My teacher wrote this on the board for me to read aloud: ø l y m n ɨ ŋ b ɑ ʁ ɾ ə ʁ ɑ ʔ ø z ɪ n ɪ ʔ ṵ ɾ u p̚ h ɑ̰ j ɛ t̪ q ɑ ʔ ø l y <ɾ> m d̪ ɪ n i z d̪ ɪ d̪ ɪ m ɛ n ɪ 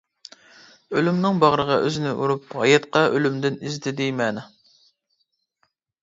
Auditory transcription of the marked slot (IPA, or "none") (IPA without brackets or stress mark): none